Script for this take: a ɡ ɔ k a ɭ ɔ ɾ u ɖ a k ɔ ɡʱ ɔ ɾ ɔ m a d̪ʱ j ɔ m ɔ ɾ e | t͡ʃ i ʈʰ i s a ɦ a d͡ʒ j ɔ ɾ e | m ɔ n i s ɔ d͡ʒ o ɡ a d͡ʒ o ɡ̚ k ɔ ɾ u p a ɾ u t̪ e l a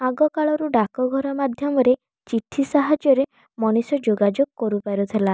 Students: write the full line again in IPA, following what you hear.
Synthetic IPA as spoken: a ɡ ɔ k a ɭ ɔ ɾ u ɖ a k ɔ ɡʱ ɔ ɾ ɔ m a d̪ʱ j ɔ m ɔ ɾ e | t͡ʃ i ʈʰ i s a ɦ a d͡ʒ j ɔ ɾ e | m ɔ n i s ɔ d͡ʒ o ɡ a d͡ʒ o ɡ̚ k ɔ ɾ u p a ɾ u t̪ʰ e l a